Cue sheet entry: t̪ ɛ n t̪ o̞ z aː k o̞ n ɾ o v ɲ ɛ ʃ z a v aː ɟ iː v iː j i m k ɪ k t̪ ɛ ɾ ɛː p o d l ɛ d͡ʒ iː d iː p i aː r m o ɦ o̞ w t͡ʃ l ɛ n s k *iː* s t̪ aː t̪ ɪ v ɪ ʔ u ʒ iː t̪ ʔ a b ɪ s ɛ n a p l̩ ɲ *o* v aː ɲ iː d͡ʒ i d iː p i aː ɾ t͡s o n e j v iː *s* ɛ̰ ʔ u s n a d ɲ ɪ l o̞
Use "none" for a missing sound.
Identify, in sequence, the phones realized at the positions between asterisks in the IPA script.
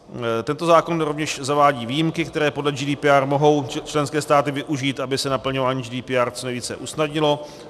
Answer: ɛː, o, t͡s

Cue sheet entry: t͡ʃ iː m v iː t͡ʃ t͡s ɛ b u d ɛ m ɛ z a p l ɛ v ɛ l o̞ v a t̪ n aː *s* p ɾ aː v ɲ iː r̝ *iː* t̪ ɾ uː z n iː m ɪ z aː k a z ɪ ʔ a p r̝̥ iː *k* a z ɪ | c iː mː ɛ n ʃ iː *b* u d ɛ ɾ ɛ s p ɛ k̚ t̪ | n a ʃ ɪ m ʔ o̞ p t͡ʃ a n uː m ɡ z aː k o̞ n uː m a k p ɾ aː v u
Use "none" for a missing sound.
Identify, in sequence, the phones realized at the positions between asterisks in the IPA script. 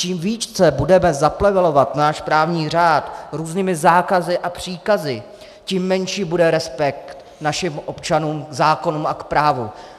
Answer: ʃ, aː, k, b

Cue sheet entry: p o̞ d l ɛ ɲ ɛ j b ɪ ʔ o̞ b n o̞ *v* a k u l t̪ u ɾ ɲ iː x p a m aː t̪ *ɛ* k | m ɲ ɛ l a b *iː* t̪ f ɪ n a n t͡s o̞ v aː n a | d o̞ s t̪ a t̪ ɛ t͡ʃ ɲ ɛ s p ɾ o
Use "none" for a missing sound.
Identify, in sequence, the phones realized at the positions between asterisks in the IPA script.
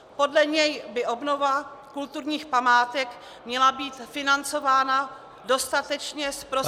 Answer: v, ɛ, iː

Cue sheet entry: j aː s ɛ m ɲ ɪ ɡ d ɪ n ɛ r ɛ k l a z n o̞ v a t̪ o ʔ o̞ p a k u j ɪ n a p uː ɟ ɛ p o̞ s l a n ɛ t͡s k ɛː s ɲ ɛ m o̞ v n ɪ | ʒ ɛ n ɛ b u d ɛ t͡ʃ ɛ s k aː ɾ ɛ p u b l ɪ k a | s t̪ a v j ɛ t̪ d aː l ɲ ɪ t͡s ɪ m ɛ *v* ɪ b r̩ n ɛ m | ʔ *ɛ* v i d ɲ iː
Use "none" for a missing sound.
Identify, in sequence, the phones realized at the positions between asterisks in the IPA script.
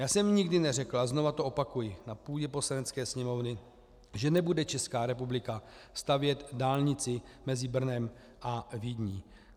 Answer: z, a

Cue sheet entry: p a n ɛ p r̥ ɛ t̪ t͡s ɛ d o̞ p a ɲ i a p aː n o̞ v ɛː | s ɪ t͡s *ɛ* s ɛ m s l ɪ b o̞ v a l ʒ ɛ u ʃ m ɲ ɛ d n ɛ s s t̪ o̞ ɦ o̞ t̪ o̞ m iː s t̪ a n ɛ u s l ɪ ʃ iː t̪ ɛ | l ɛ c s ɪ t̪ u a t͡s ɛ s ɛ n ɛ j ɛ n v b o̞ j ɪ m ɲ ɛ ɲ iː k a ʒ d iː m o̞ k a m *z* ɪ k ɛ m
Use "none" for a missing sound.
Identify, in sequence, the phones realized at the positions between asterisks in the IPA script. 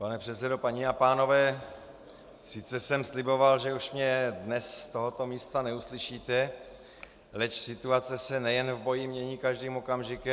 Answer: ɛ, ʒ

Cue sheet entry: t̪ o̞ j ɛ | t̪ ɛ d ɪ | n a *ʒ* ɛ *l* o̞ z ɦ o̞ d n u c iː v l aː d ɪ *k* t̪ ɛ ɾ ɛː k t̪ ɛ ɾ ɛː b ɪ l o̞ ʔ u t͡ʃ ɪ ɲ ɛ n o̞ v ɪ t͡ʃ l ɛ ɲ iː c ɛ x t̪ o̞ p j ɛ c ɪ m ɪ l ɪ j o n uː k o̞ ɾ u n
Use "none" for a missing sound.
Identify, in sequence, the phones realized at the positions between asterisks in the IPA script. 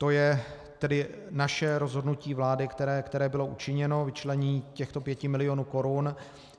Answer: ʃ, ɾ, k

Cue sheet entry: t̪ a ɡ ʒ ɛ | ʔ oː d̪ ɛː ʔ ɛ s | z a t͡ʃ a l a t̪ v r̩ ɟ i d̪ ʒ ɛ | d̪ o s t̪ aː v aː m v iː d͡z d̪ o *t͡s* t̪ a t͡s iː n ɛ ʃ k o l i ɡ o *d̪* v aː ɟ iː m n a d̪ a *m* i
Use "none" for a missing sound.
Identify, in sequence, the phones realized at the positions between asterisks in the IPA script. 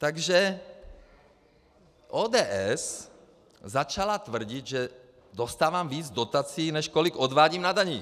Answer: none, d̪, ɲ

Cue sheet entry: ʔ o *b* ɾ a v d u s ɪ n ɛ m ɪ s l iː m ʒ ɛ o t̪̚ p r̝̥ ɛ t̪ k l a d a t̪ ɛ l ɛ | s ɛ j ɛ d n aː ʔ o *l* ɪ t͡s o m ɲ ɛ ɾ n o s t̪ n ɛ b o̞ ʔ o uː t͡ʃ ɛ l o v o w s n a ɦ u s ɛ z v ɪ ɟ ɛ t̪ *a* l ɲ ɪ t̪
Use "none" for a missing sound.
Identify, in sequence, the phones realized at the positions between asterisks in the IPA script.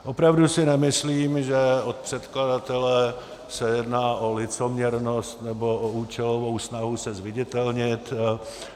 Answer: p, l, ɛ

